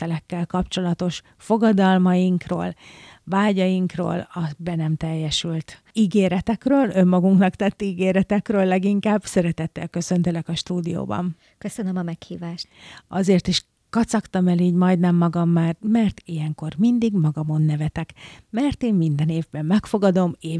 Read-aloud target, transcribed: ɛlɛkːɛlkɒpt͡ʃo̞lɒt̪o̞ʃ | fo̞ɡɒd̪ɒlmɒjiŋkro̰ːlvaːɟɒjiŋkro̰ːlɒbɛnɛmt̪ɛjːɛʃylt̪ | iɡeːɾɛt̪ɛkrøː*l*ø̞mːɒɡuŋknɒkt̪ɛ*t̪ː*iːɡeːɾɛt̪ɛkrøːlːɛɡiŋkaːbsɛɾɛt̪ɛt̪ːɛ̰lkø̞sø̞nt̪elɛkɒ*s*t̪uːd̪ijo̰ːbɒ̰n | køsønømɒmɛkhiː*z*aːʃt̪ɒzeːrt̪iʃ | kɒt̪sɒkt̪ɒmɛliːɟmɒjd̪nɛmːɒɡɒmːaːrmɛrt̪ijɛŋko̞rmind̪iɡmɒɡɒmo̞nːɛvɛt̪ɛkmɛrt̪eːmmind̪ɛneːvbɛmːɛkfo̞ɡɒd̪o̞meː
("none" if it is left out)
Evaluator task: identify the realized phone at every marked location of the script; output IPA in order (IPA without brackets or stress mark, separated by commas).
l, t̪ː, ʃ, v